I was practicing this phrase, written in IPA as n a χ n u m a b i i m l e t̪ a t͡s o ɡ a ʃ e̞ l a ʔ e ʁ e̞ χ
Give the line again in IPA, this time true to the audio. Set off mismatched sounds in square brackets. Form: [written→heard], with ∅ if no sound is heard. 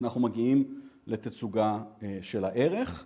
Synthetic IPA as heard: n a χ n u m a [b→ɡ] i i m l e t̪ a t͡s [o→u] ɡ a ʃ e̞ l a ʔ e ʁ e̞ χ